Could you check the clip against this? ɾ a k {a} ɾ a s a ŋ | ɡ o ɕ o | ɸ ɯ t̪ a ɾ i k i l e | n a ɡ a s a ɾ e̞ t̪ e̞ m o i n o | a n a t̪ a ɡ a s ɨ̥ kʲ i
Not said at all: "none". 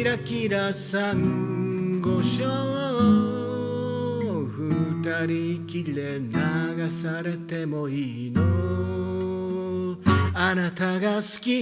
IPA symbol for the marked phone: i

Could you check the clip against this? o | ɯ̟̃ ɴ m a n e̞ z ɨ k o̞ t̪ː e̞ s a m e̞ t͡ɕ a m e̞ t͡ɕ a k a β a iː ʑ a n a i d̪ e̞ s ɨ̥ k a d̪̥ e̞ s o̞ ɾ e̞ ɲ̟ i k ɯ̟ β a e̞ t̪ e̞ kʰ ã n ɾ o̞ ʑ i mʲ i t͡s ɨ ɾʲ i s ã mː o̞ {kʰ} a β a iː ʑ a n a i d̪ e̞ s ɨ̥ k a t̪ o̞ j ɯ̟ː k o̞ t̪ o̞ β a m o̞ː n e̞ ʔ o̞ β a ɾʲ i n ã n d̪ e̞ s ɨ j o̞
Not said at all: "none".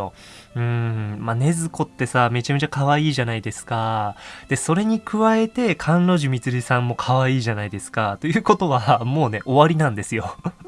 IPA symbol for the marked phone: kʰ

